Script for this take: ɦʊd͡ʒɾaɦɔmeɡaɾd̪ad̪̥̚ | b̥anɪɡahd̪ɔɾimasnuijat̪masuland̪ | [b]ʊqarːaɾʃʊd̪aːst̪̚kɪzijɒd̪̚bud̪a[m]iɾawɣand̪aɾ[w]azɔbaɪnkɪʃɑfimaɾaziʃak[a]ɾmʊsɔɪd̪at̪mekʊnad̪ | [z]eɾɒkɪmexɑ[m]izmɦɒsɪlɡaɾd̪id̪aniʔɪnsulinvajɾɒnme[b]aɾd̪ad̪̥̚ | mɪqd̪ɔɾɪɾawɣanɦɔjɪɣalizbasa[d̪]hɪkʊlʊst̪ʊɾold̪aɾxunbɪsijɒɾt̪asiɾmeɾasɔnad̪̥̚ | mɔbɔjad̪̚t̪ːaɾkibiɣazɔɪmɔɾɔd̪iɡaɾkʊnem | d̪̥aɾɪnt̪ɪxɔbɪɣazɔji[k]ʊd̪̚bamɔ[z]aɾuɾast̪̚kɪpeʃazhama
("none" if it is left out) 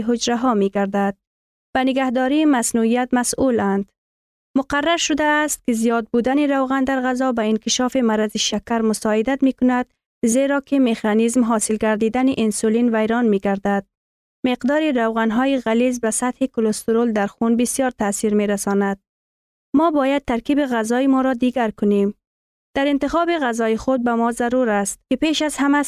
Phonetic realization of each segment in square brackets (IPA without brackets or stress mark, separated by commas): m, n, ɣ, a, z, n, ɡ, t̪, x, z